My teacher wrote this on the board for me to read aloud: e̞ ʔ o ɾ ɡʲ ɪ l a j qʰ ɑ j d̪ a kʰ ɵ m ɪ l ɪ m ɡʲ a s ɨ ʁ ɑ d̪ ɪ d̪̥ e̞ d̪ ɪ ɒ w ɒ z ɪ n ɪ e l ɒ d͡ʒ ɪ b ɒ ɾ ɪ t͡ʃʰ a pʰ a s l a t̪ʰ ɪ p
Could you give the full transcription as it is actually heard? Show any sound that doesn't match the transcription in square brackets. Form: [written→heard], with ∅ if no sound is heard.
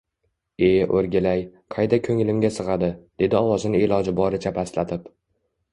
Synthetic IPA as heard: e̞ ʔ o ɾ ɡʲ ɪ l a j qʰ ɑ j d̪ a kʰ ɵ [m→ŋ] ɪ l ɪ m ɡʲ a s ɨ ʁ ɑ d̪ ɪ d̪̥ e̞ d̪ ɪ ɒ w ɒ z ɪ n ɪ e l ɒ d͡ʒ ɪ b ɒ ɾ ɪ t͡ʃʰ a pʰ a s l a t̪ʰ ɪ p